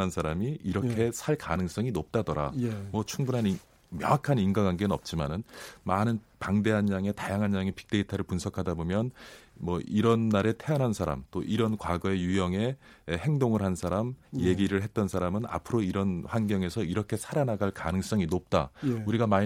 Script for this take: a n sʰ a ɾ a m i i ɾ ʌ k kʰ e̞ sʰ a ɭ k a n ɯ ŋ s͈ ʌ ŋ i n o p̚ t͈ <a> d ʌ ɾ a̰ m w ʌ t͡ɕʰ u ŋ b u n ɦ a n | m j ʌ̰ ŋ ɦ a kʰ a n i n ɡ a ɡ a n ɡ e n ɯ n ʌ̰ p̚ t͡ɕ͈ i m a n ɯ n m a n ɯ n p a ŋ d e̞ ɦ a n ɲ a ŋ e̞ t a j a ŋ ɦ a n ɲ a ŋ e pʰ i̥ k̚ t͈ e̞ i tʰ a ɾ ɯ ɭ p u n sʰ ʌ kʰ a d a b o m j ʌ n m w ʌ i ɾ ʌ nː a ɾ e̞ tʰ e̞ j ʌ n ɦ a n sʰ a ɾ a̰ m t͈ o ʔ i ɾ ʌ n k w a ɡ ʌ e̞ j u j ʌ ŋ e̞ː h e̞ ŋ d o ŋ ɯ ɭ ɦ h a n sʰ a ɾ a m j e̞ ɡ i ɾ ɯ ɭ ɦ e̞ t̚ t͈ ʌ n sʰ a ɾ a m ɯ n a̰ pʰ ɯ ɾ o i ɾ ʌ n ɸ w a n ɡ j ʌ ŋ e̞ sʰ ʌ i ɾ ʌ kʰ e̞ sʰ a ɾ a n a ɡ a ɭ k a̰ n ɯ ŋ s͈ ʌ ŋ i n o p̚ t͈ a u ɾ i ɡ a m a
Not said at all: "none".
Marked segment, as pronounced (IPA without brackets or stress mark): a